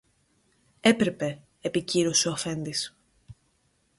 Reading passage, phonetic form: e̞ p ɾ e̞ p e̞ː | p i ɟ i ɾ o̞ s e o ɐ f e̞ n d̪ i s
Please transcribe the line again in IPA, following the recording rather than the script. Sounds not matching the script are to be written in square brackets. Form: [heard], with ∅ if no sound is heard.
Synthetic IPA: e̞ p ɾ e̞ p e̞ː | p i [c] i ɾ o̞ s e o ɐ f e̞ n d̪ i s